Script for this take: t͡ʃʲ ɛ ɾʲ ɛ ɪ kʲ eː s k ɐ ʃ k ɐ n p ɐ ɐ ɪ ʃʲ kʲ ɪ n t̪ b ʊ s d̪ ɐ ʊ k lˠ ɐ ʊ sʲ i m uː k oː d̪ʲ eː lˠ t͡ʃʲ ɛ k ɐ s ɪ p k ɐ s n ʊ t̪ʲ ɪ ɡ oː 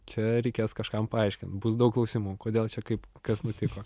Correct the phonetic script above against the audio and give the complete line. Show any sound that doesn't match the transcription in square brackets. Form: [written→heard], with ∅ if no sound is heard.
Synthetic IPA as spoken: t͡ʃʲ ɛ ɾʲ ɛ ɪ kʲ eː s k ɐ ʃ k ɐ [n→m] p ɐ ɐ ɪ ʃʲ kʲ ɪ n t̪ b ʊ s d̪ ɐ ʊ k lˠ ɐ ʊ sʲ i m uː k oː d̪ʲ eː lˠ t͡ʃʲ ɛ k ɐ [s→∅] ɪ p k ɐ s n ʊ t̪ʲ ɪ [ɡ→k] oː